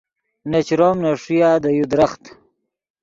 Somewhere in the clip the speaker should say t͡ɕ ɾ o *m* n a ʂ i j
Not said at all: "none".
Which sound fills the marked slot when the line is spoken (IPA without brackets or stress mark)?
m